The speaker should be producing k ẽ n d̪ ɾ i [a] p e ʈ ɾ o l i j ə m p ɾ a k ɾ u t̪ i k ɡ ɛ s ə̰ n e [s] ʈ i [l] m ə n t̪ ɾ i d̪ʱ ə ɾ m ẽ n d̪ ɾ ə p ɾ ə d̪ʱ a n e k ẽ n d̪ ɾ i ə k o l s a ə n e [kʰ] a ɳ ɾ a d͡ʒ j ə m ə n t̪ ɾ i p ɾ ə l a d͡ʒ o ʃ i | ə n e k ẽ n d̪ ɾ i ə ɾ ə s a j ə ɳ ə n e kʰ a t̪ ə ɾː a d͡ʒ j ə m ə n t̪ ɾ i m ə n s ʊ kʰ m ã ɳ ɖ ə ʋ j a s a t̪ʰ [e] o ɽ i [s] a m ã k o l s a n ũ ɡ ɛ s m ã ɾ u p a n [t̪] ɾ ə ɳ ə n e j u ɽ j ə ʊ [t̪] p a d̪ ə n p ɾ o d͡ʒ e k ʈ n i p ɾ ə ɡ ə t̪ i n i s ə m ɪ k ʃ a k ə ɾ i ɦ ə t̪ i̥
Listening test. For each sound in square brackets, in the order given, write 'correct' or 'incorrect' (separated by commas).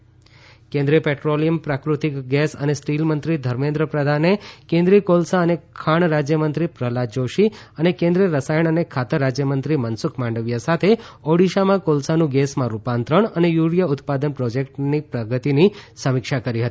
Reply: incorrect, correct, correct, correct, correct, incorrect, correct, correct